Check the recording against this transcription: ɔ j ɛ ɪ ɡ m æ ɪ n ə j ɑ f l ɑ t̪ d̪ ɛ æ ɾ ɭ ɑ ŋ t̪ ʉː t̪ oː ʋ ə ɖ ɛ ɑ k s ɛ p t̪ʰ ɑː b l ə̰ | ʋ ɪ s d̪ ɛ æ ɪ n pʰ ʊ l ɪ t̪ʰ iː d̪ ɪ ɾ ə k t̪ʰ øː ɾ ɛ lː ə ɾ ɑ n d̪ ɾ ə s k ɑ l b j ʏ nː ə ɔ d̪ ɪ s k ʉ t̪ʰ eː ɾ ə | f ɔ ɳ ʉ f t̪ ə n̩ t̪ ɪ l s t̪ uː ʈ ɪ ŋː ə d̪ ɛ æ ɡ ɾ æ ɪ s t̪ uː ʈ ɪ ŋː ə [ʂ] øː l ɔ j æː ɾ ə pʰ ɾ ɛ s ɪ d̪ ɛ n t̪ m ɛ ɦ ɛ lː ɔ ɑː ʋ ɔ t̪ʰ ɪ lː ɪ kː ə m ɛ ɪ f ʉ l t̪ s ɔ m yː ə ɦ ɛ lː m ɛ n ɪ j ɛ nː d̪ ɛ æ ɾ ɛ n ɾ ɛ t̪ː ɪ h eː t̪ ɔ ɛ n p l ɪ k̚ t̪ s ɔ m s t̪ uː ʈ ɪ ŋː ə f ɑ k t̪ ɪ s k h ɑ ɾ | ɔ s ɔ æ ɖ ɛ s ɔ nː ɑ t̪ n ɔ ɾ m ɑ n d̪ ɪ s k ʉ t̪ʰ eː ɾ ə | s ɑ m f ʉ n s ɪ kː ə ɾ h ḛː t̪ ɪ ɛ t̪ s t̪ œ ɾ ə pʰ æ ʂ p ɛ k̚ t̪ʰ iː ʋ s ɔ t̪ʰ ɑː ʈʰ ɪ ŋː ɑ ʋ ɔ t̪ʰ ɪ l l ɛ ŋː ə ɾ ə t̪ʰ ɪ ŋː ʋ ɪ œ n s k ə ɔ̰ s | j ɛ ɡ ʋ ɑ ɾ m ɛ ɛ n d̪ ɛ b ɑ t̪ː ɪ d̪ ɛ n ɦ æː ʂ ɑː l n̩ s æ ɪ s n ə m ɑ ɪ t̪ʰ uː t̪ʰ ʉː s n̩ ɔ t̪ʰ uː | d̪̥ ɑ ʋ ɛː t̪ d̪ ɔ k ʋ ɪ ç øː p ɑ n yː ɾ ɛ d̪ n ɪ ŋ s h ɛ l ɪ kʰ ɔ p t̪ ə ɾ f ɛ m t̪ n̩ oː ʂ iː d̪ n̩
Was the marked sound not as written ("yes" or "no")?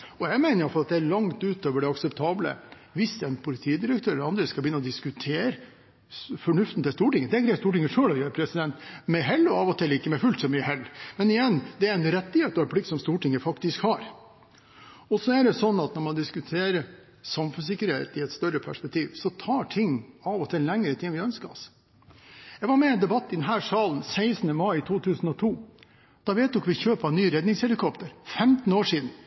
no